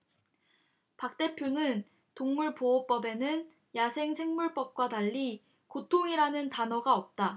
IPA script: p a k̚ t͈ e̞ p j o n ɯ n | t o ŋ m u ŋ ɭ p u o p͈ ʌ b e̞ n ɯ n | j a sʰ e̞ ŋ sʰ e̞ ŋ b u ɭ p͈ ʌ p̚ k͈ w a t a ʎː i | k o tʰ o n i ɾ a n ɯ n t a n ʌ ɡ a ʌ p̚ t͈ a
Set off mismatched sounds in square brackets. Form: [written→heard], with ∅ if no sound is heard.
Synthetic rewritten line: p a k̚ t͈ e̞ [p→pʰ] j o n ɯ n | t o ŋ m u [ŋ→∅] ɭ p [u→o] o p͈ ʌ b e̞ n ɯ n | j a sʰ e̞ ŋ sʰ e̞ ŋ [b→m] u ɭ p͈ ʌ p̚ k͈ w a t a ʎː i | k o tʰ o [n→ŋ] i ɾ a n ɯ n t a n ʌ ɡ a ʌ p̚ t͈ a